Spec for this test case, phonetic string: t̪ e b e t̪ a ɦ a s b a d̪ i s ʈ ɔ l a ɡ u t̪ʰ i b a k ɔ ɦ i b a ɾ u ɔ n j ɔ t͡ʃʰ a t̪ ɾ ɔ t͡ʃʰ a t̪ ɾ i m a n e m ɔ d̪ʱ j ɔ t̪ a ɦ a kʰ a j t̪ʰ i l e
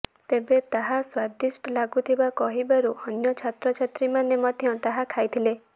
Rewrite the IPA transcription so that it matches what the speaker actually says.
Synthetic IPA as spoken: t̪ e b e t̪ a ɦ a s w a d̪ i s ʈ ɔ l a ɡ u t̪ʰ i b a k ɔ ɦ i b a ɾ u ɔ n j ɔ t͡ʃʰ a t̪ ɾ ɔ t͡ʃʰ a t̪ ɾ i m a n e m ɔ d̪ʱ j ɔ t̪ a ɦ a kʰ a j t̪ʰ i l e